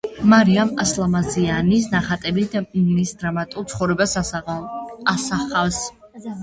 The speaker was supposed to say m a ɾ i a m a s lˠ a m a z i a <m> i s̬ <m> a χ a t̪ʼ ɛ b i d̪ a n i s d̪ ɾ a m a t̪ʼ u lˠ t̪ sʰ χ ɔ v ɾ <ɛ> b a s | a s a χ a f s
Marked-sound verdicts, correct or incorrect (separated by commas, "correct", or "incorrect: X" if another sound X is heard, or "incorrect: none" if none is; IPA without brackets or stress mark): incorrect: n, incorrect: n, correct